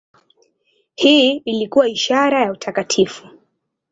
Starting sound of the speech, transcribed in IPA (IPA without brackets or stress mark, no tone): h